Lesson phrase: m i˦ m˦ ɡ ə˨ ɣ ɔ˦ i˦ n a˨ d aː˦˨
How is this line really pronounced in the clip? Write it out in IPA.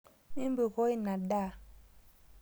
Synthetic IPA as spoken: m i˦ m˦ b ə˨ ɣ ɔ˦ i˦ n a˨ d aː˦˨